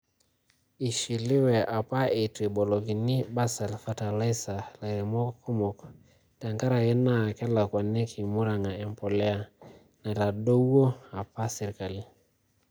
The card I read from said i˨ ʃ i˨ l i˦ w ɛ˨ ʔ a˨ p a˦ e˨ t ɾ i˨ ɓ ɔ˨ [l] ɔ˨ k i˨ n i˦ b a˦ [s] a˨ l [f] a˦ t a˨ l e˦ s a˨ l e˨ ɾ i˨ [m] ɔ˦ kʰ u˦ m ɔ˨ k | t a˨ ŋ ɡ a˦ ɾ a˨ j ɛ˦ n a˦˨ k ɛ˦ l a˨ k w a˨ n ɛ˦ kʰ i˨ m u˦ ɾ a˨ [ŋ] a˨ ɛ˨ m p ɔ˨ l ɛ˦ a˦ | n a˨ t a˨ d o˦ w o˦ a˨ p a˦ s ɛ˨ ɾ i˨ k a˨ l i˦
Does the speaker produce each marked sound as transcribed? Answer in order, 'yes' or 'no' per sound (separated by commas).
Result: yes, yes, yes, yes, yes